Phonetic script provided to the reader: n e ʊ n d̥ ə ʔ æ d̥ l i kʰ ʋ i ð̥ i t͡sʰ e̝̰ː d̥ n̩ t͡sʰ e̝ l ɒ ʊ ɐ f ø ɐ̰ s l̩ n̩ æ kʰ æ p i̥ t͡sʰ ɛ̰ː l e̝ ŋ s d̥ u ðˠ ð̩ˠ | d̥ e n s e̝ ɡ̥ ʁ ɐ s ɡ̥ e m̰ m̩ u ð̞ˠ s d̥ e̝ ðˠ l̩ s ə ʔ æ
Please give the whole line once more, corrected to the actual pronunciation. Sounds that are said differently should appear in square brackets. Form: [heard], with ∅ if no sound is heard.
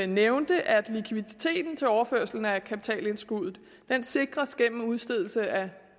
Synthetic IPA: n e ʊ n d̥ ə ʔ æ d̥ l i kʰ ʋ i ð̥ i t͡sʰ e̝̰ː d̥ n̩ t͡sʰ e̝ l ɒ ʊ ɐ f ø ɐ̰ s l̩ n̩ æ kʰ æ p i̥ t͡sʰ ɛ̰ː l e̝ [n] s [ɡ̥] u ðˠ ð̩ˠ | d̥ e n s e̝ ɡ̥ ʁ ɐ s ɡ̥ e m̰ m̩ u ð̞ˠ s d̥ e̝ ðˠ l̩ s ə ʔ æ